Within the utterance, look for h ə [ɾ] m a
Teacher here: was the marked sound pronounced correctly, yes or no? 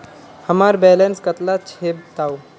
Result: no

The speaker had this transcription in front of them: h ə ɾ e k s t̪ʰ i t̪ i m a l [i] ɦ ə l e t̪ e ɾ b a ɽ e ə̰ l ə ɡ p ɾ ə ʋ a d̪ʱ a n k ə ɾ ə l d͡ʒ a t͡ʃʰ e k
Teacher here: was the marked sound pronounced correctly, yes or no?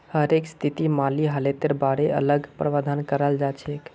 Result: yes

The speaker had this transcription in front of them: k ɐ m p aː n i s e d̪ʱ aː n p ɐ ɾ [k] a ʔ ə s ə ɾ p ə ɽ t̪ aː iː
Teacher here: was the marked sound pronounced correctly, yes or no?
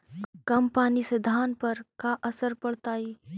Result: yes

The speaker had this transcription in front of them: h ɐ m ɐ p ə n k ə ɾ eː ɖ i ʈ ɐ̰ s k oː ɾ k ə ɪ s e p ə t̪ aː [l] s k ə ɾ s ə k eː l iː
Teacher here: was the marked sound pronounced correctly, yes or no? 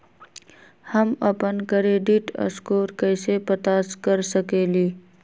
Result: no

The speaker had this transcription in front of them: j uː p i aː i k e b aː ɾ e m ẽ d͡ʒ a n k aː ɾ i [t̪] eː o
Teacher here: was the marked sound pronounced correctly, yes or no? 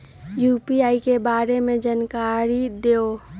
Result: no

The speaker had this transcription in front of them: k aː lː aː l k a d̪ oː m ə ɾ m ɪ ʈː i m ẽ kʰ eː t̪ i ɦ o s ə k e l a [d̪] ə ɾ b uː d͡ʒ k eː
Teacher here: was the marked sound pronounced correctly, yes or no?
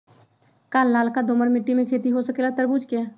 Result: no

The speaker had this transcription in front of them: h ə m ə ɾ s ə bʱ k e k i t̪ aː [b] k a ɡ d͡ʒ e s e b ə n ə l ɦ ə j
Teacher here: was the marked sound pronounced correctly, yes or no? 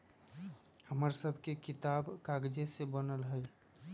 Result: yes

